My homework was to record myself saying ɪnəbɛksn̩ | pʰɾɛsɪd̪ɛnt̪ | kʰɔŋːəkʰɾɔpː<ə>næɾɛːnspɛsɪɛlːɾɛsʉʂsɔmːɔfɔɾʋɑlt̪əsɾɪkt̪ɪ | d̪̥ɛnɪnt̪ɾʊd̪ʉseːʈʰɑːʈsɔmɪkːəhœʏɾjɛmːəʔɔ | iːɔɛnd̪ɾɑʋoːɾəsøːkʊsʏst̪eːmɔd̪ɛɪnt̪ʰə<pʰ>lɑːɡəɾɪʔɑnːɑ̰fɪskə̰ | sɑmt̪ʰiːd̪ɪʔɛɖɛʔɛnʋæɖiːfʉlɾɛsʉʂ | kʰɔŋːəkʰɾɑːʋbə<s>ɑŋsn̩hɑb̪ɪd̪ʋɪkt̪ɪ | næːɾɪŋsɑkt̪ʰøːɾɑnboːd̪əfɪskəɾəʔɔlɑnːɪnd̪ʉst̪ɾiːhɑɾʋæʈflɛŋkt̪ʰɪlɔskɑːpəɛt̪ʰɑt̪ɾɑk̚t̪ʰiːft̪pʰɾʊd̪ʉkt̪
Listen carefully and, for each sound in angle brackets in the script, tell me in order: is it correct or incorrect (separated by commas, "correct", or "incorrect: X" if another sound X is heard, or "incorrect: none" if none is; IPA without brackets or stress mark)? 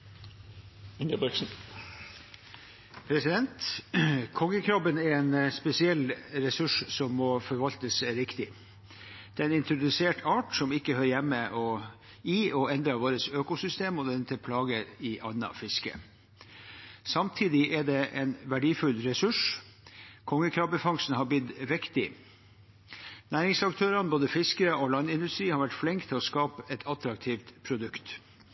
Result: correct, correct, incorrect: f